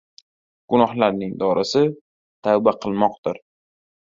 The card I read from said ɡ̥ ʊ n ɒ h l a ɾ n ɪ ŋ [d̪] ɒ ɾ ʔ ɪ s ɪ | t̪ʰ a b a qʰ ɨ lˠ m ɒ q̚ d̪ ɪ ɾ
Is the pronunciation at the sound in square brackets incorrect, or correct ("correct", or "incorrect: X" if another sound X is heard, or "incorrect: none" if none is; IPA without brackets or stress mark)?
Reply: correct